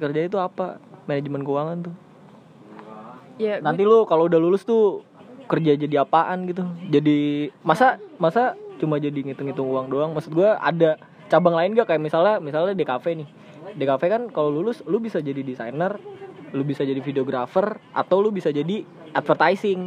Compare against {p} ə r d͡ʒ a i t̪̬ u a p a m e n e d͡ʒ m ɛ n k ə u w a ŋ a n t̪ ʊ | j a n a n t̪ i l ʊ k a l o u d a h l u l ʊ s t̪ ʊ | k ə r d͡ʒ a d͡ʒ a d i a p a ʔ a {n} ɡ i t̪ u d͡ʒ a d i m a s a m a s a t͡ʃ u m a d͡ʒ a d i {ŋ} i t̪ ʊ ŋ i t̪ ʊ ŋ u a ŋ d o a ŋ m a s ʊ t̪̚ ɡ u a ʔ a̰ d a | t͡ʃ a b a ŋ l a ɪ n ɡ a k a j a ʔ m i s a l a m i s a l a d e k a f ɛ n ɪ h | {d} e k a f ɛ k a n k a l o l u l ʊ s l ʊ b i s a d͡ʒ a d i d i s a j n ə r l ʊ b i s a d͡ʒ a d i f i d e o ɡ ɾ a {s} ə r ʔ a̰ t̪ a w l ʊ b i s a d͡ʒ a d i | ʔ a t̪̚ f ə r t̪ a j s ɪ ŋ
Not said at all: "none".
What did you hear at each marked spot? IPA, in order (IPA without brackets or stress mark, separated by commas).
k, n, ŋ, d, f